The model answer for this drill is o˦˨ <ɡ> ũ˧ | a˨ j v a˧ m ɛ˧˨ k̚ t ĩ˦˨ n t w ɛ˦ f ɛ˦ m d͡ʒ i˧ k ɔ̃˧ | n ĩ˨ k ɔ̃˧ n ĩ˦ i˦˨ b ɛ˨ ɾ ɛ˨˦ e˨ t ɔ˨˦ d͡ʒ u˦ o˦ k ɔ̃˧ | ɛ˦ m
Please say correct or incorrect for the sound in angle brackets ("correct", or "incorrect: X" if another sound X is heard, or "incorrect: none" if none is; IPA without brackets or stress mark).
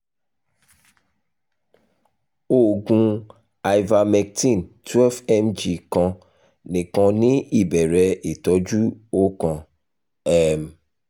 correct